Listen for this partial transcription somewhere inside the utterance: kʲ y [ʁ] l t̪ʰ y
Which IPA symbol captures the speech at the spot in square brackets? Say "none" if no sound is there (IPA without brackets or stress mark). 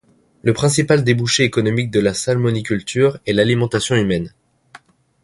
none